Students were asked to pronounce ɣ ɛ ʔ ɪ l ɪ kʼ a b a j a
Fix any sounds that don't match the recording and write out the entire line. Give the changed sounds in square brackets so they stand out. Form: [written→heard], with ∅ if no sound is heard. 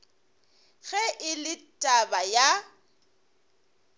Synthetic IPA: ɣ ɛ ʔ ɪ l ɪ [kʼ→tʼ] a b a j a